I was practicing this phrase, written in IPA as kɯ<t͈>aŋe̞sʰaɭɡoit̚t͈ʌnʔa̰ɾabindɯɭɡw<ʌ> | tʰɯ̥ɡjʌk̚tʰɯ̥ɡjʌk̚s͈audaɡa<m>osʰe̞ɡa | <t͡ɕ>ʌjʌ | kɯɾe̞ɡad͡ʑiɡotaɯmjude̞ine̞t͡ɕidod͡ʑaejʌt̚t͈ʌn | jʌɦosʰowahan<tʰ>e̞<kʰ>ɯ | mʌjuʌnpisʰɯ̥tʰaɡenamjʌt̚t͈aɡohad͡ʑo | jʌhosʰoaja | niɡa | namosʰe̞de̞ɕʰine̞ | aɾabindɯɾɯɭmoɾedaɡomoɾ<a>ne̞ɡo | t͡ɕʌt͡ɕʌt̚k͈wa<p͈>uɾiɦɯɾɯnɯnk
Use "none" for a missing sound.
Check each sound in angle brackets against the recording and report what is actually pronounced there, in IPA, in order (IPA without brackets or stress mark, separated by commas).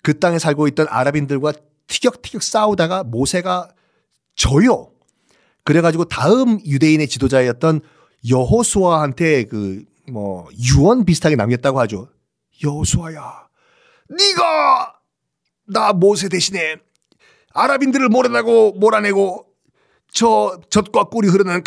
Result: t͈, a, m, t͡ɕ, tʰ, k, a, k͈